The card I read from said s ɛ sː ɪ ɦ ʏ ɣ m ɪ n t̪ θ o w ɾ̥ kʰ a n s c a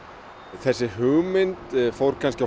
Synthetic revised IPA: θ ɛ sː ɪ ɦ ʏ ɣ m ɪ n t̪ f o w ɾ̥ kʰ a n s c a